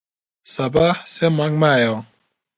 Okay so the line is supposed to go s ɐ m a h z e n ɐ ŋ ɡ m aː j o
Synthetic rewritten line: s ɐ b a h s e m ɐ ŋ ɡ m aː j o